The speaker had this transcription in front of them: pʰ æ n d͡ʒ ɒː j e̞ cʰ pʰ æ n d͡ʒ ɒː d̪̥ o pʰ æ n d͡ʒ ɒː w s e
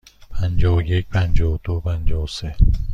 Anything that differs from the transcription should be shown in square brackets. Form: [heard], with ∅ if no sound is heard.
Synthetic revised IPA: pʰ æ n d͡ʒ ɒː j e̞ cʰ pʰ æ n d͡ʒ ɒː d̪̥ o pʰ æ n d͡ʒ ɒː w s e